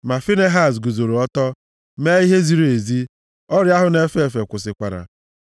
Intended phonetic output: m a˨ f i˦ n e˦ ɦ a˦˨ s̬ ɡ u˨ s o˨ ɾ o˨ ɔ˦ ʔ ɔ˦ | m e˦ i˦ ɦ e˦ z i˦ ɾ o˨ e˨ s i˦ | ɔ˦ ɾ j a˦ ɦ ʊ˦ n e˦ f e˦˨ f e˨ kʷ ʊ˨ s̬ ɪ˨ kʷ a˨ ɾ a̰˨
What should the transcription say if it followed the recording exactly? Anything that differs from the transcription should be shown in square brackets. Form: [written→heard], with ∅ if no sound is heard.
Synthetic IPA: m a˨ f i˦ n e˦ ɦ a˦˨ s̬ ɡ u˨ [s→z] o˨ ɾ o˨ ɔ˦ [ʔ→t] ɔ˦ | m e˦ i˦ ɦ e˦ z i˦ ɾ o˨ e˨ [s→z] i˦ | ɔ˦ ɾ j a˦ ɦ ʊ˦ n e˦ f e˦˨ f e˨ kʷ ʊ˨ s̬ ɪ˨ kʷ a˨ ɾ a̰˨